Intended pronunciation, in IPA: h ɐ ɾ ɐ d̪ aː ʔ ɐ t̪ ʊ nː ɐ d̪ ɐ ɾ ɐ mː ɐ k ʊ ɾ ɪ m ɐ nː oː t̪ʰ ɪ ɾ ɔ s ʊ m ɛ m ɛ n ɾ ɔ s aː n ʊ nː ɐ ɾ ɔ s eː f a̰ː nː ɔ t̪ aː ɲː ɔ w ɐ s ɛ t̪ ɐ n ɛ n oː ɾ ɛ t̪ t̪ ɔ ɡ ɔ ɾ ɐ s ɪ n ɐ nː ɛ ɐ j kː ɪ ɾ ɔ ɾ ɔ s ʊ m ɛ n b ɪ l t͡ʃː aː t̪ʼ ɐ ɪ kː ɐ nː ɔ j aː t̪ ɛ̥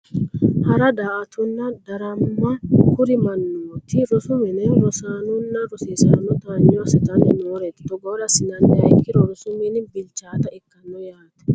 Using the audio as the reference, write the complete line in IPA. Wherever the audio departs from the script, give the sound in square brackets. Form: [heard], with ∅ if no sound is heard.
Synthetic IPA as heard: h ɐ ɾ ɐ d̪ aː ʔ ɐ t̪ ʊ nː ɐ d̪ ɐ ɾ ɐ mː ɐ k ʊ ɾ ɪ m ɐ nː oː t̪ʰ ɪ ɾ ɔ s ʊ m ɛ [n] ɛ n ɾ ɔ s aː n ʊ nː ɐ ɾ ɔ s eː [s] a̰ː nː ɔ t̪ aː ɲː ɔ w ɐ s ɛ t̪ ɐ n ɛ n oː ɾ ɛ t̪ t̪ ɔ ɡ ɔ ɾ ɐ s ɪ n ɐ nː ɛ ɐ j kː ɪ ɾ ɔ ɾ ɔ s ʊ m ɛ n b ɪ l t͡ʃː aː [t̪] ɐ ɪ kː ɐ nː ɔ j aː t̪ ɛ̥